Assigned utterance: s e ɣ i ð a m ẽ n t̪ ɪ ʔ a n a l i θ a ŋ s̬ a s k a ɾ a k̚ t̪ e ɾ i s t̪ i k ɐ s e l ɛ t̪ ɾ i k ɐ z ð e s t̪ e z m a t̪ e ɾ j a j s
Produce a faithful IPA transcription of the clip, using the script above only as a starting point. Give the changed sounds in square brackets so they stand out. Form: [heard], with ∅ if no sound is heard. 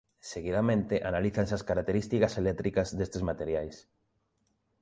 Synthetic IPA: s e ɣ i ð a m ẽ n t̪ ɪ ʔ a n a l i θ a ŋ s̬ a s k a ɾ a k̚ t̪ e ɾ i s t̪ i k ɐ s e l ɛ t̪ ɾ i k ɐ z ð e s t̪ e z m a t̪ e ɾ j a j s